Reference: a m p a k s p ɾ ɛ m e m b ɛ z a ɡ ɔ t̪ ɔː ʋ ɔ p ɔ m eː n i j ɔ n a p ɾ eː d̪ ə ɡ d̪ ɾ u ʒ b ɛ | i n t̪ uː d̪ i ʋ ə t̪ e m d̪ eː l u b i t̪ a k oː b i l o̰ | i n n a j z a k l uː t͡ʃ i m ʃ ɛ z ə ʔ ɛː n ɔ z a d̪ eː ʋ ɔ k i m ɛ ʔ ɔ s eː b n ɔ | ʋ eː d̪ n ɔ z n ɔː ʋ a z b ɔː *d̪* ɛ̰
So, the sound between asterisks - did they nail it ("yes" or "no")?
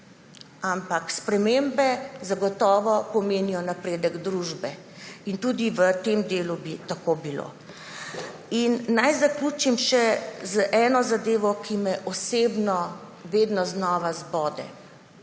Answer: yes